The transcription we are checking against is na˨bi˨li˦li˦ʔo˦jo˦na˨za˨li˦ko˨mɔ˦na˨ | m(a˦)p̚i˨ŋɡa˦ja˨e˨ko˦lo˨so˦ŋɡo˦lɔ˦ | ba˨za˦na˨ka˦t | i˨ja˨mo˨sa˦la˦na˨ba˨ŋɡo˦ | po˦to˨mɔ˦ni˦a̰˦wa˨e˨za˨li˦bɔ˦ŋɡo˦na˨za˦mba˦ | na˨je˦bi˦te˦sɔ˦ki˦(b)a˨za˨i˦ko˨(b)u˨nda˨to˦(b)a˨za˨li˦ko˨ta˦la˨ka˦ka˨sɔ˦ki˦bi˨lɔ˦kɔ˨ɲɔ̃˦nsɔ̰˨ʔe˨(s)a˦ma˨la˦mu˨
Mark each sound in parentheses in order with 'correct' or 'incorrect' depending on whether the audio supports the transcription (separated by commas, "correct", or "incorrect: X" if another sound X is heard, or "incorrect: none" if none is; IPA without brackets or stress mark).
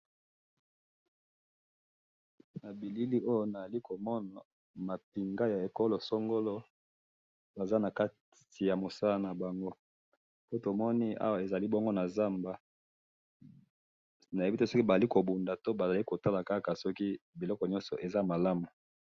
incorrect: a˨, correct, correct, correct, incorrect: z